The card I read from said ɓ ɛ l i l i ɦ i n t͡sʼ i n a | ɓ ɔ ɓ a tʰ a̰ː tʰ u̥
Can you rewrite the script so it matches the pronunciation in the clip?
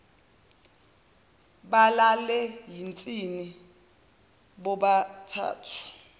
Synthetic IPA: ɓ a l a l ɛ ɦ i n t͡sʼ i n i | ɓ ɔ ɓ a tʰ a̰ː tʰ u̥

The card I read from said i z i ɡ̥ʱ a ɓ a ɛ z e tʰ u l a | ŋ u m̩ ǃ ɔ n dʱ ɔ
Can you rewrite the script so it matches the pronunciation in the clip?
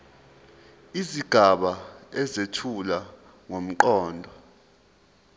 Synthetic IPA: i z i ɡ̥ʱ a ɓ a ɛ z e tʰ u l a | ŋ o m̩ ǃ ɔː n dʱ ɔ

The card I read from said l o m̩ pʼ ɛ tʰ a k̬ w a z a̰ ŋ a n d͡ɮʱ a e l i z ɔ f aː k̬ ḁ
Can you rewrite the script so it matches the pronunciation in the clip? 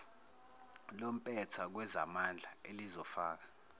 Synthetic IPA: l o m̩ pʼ ɛ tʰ a k̬ w ɛ z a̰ m a n d͡ɮʱ a e l i z ɔ f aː k̬ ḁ

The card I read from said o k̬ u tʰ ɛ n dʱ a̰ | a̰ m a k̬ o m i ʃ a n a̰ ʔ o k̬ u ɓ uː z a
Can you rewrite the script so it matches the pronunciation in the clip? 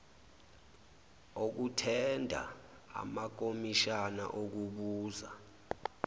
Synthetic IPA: o k̬ u tʰ ɛ n dʱ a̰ | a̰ m a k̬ o m i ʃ a n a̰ ʔ o k̬ u ɓ uː z a

